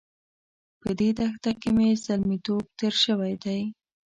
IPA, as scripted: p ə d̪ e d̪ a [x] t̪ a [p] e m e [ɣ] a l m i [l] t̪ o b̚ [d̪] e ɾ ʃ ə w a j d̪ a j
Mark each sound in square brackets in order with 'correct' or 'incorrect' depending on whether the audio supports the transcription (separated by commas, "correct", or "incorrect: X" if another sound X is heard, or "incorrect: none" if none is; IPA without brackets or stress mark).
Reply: correct, incorrect: k, incorrect: z, incorrect: none, incorrect: t̪